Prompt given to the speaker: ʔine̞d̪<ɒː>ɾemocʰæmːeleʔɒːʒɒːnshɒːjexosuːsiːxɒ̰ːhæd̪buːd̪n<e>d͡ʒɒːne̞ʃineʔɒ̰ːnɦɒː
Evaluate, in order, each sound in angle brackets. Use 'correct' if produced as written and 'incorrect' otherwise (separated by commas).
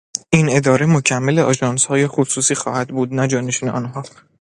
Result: correct, incorrect